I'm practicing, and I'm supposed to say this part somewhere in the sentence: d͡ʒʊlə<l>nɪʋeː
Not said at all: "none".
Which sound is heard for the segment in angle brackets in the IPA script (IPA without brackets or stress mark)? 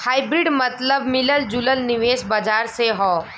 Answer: l